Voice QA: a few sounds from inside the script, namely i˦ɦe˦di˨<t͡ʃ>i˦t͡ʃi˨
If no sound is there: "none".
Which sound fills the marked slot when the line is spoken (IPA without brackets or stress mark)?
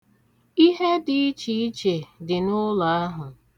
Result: none